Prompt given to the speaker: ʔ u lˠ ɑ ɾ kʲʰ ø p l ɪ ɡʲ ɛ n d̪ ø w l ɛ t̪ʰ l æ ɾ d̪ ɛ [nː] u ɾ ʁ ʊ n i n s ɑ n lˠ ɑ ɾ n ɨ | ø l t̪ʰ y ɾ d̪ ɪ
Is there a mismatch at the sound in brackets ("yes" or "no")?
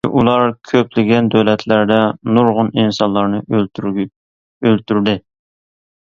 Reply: yes